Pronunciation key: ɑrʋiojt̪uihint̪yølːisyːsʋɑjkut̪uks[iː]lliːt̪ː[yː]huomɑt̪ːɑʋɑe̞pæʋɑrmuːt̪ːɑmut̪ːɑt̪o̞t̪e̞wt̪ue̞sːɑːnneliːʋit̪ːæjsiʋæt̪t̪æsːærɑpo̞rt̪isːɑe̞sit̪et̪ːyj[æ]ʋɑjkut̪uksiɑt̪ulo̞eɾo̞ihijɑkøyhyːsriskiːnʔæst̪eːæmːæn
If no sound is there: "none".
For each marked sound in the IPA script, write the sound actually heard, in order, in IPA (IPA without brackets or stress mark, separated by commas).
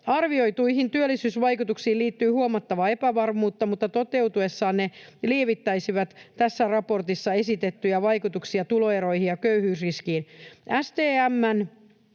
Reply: iː, yː, æ